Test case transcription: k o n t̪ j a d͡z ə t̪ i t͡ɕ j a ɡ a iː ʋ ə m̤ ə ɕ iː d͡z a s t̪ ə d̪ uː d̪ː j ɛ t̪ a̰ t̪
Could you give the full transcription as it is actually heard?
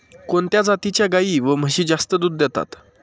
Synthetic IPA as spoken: k o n t̪ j a d͡z a t̪ i t͡ɕ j a ɡ a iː ʋ ə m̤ ə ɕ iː d͡z a s t̪ ə d̪ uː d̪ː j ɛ t̪ a̰ t̪

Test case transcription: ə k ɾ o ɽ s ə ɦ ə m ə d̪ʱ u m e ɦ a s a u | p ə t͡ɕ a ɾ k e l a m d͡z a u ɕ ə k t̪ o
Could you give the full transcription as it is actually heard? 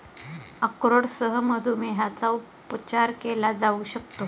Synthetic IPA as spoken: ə k ɾ o ɽ s ə ɦ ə m ə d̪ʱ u m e ɦ a t͡s a u | p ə t͡ɕ a ɾ k e l a d͡z a u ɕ ə k t̪ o

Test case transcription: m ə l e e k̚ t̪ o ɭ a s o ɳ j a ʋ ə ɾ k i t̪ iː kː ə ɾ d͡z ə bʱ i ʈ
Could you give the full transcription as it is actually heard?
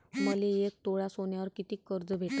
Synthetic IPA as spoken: m ə l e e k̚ t̪ o ɭ a s o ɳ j a ʋ ə ɾ k i t̪ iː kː ə ɾ d͡z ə bʱ e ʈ

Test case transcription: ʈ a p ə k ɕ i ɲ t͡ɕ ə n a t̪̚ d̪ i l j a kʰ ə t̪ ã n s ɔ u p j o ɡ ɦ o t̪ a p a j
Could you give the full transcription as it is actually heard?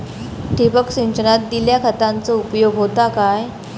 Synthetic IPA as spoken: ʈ i p ə k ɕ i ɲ t͡ɕ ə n a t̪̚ d̪ i l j a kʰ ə t̪ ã n t͡s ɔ u p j o ɡ ɦ o t̪ a k a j

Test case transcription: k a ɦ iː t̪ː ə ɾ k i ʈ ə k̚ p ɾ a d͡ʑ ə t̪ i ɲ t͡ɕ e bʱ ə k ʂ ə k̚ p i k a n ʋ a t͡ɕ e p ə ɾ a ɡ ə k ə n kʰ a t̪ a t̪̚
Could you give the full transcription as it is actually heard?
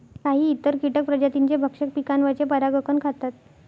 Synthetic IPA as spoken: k a ɦ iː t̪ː ə ɾ k i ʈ ə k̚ p ɾ ə d͡ʑ a t̪ i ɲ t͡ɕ e bʱ ə k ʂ ə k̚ p i k a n ʋ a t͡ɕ e p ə ɾ a ɡ ə k ə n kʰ a t̪ a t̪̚

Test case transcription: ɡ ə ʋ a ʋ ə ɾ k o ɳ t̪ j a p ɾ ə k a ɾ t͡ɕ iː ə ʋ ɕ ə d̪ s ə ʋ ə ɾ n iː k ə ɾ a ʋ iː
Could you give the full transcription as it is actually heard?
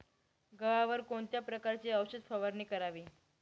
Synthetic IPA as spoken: ɡ ə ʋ a ʋ ə ɾ k o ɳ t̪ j a p ɾ ə k a ɾ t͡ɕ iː ə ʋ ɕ ə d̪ f ə ʋ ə ɾ n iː k ə ɾ a ʋ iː

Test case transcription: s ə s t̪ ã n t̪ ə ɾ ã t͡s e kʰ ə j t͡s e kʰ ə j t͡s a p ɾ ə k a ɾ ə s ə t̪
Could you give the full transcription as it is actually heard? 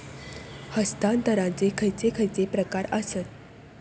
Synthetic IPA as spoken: h ə s t̪ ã n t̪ ə ɾ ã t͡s e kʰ ə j t͡s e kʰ ə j t͡s e p ɾ ə k a ɾ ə s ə t̪

